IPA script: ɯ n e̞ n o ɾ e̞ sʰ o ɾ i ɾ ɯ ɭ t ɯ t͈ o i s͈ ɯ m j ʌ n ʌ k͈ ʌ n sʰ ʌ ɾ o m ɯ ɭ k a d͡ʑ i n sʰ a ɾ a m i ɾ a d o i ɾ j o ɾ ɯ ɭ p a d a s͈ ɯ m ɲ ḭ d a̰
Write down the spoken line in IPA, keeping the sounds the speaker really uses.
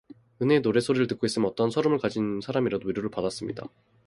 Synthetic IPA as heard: ɯ n e̞ n o ɾ e̞ sʰ o ɾ i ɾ ɯ ɭ t ɯ k͈ o i s͈ ɯ m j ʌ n ʌ t͈ ʌ n sʰ ʌ ɾ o m ɯ ɭ k a d͡ʑ i n sʰ a ɾ a m i ɾ a d o i ɾ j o ɾ ɯ ɭ p a d a s͈ ɯ m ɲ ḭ d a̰